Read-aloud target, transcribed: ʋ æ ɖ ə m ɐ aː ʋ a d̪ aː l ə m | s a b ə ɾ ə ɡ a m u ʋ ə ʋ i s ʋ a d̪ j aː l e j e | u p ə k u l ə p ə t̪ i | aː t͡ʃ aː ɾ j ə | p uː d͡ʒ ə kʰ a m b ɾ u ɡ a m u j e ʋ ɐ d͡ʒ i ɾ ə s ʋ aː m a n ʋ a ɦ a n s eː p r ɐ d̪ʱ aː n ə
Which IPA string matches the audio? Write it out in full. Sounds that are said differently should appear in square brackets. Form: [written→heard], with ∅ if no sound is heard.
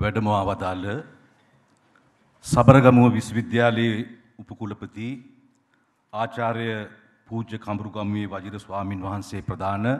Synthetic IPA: ʋ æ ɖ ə m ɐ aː ʋ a d̪ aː l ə [m→∅] | s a b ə ɾ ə ɡ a m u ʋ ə ʋ i s ʋ [a→i] d̪ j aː l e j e | u p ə k u l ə p ə t̪ i | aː t͡ʃ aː ɾ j ə | p uː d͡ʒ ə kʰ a m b ɾ u ɡ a m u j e ʋ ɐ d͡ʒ i ɾ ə s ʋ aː m [a→i] n ʋ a ɦ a n s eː p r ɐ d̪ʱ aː n ə